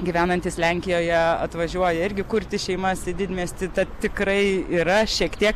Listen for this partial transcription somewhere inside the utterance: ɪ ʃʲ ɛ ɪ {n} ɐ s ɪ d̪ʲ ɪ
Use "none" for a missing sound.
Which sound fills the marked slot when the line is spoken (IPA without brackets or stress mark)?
m